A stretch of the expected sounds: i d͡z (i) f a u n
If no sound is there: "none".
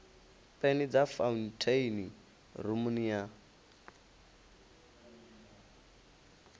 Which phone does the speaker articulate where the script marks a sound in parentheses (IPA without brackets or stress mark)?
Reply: a